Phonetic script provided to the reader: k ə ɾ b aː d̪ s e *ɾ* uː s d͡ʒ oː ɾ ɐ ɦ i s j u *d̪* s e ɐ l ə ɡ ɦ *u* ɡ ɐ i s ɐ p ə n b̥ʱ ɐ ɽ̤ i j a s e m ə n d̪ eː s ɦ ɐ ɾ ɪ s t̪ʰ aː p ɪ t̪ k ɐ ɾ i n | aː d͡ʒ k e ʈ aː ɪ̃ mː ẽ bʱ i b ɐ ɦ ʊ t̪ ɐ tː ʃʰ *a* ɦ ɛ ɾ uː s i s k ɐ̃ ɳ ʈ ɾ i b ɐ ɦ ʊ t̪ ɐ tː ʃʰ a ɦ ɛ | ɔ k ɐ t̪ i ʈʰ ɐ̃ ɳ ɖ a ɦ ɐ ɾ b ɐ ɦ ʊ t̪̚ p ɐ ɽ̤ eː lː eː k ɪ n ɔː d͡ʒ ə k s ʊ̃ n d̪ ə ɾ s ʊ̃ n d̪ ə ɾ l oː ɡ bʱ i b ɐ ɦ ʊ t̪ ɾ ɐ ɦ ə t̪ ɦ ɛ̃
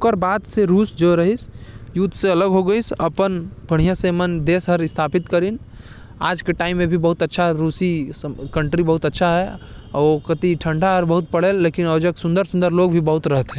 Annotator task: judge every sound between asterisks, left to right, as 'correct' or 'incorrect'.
correct, incorrect, incorrect, correct

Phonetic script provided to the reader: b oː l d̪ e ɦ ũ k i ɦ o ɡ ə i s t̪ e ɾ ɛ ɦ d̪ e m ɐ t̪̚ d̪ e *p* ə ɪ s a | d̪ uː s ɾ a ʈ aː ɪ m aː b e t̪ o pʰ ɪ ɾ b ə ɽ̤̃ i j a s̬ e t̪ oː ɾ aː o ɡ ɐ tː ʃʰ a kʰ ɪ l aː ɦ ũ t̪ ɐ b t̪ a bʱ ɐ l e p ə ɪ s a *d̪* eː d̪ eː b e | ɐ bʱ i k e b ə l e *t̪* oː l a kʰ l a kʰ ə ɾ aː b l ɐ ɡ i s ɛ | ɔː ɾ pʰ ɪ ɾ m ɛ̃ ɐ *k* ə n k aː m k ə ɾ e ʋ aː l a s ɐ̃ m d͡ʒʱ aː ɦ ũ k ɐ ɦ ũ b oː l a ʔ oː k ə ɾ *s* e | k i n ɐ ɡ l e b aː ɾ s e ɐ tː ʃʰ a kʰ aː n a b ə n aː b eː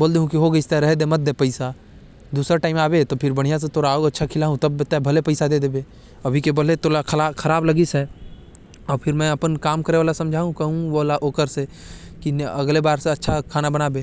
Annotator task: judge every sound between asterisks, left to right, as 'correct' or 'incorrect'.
correct, correct, correct, incorrect, correct

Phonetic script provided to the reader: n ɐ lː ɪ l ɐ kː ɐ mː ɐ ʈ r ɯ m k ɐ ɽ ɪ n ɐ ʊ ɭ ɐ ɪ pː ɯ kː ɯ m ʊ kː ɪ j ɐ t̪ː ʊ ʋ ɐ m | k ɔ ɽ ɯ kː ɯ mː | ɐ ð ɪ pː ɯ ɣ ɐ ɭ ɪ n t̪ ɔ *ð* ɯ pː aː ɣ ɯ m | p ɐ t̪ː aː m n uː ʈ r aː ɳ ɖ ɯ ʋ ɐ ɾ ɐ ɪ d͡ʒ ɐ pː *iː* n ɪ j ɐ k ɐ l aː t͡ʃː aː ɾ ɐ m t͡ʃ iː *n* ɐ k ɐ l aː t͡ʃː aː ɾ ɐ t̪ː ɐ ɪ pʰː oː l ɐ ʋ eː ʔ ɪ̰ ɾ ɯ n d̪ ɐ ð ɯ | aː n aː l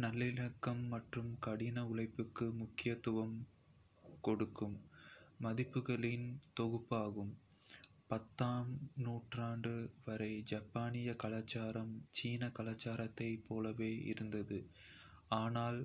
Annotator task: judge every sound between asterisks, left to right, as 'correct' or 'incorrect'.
incorrect, incorrect, correct

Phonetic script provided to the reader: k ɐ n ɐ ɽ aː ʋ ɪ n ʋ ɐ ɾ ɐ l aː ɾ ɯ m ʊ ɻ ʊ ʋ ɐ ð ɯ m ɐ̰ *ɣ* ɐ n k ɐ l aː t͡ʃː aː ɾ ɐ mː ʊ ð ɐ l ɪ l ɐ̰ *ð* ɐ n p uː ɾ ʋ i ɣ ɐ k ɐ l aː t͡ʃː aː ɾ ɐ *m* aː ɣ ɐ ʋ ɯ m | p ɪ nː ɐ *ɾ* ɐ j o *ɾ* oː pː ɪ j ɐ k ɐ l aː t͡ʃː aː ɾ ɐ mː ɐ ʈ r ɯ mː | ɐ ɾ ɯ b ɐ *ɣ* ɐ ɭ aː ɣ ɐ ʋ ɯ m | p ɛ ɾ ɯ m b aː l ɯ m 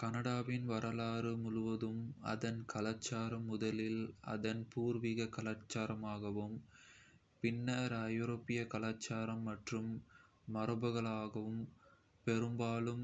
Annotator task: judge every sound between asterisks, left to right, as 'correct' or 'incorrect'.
incorrect, correct, correct, correct, correct, correct

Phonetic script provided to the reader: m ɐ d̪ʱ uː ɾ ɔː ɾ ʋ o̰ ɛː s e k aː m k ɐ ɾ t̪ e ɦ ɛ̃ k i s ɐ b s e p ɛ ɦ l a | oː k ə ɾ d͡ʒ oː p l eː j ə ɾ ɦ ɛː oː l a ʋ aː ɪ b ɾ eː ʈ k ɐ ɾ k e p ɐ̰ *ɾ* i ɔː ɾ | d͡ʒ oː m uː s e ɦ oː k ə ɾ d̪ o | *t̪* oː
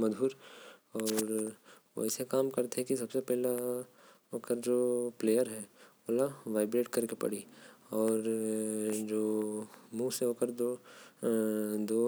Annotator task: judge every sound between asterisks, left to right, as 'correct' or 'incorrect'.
incorrect, incorrect

